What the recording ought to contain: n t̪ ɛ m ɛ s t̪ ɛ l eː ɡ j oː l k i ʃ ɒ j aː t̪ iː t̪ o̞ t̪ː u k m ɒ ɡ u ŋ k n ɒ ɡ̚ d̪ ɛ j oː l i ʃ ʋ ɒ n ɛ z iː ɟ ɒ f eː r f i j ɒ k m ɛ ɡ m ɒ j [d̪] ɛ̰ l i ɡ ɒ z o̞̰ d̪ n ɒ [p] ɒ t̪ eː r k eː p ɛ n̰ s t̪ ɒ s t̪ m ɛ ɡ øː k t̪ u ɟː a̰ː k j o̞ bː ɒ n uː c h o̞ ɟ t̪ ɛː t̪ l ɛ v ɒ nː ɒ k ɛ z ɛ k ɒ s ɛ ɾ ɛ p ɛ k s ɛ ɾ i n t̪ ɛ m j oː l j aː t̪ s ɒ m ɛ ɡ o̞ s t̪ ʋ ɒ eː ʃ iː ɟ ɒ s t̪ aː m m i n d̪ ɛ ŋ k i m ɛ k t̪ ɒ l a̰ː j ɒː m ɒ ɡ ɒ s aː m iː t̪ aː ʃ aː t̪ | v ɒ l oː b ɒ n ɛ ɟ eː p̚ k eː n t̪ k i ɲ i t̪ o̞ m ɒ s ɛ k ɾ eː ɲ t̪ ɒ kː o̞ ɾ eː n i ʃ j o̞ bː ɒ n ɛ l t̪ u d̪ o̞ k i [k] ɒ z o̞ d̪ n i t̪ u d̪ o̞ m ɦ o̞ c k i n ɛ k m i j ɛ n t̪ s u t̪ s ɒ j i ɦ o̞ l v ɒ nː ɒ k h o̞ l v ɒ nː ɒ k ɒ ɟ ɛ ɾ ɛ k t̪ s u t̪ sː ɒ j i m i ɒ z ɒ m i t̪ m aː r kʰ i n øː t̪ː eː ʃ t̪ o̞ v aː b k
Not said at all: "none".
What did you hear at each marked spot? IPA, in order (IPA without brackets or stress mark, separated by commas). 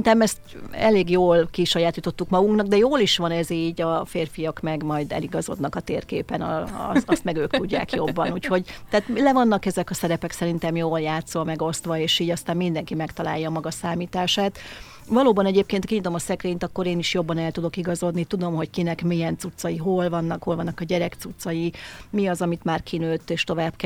d̪, k, ɡ